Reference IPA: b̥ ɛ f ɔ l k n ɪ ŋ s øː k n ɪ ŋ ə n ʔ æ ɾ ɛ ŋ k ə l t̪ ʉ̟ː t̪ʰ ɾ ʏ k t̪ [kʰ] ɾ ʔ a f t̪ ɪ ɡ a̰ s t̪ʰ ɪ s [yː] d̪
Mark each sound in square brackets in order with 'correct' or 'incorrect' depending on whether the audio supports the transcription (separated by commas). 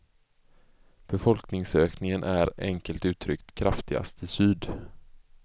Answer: correct, correct